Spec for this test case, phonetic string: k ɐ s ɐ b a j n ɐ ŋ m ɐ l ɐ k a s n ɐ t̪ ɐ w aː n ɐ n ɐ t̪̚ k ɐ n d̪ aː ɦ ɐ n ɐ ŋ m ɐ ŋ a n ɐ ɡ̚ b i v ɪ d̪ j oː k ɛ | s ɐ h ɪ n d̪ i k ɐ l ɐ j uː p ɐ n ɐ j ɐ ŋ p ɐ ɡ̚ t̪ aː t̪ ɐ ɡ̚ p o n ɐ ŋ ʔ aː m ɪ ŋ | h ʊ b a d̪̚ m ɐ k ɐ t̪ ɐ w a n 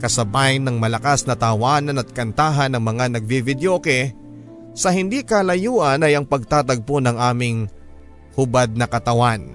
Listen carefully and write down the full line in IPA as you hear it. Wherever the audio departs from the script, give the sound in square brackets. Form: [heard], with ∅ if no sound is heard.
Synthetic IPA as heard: k ɐ s ɐ b a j n ɐ ŋ m ɐ l ɐ k a s n ɐ t̪ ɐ w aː n ɐ n ɐ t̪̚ k ɐ n [t̪] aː ɦ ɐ n ɐ ŋ m ɐ ŋ a n ɐ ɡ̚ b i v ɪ d̪ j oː k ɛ | s ɐ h ɪ n d̪ i k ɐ l ɐ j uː [ʔ] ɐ n ɐ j ɐ ŋ p ɐ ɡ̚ t̪ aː t̪ ɐ ɡ̚ p o n ɐ ŋ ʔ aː m ɪ ŋ | h ʊ b a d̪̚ [n] ɐ k ɐ t̪ ɐ w a n